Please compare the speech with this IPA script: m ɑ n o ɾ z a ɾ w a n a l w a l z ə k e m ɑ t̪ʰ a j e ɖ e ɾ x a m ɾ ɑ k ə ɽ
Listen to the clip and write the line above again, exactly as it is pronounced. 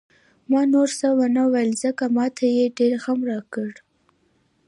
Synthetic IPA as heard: m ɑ n o ɾ s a w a n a w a l z ə k a m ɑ t̪ʰ a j e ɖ e ɾ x a m ɾ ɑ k ə ɽ